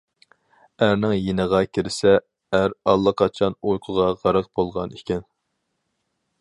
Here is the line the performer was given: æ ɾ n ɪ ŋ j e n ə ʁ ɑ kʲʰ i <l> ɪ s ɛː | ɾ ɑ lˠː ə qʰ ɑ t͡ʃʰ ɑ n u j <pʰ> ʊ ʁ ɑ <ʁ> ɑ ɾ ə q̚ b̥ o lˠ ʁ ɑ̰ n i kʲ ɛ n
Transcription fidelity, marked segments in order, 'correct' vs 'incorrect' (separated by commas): incorrect, incorrect, correct